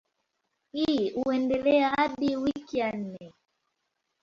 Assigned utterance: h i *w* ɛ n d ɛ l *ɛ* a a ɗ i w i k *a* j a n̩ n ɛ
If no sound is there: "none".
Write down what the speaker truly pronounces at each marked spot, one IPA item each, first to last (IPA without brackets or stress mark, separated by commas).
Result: u, ɛ, i